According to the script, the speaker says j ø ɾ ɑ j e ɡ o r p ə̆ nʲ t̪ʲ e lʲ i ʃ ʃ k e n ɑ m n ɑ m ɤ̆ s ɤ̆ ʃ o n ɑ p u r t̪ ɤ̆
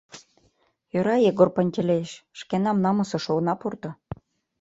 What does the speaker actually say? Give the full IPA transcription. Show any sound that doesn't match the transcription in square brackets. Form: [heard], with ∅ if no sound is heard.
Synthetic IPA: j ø ɾ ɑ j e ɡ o r p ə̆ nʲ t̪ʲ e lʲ [e] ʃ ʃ k e n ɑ m n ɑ m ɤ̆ s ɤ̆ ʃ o n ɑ p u r t̪ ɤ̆